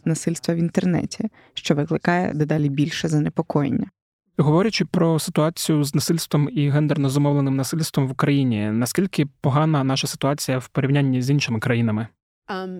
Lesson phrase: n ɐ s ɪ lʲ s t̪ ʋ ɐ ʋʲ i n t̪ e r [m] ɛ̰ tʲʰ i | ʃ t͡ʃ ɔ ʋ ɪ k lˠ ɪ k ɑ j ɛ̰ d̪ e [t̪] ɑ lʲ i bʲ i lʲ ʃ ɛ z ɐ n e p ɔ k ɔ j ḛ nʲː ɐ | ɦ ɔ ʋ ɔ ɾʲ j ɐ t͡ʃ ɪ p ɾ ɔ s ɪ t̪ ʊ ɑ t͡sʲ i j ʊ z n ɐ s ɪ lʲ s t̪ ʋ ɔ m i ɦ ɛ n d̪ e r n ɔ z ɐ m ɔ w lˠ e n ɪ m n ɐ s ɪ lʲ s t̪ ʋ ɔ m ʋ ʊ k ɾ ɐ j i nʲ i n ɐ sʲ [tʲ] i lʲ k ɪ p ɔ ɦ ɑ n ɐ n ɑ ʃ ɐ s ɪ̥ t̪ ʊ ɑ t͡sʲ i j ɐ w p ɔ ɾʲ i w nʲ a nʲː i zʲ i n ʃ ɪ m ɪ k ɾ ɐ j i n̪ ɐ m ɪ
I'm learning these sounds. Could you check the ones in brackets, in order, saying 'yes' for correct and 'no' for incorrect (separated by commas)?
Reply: no, no, no